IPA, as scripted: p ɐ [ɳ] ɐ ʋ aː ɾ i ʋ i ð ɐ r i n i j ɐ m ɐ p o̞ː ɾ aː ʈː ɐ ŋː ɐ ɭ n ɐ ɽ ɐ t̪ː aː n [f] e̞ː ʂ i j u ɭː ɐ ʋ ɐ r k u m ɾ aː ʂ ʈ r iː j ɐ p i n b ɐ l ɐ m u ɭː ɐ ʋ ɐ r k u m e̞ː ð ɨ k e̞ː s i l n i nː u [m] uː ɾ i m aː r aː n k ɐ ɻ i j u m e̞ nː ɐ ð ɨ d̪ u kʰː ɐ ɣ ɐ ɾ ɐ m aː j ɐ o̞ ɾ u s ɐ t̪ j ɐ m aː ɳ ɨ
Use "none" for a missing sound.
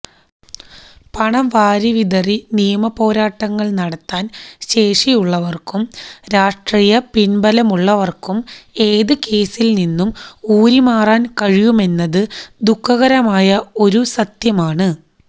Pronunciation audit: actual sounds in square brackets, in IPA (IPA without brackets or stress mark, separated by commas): ɳ, ɕ, m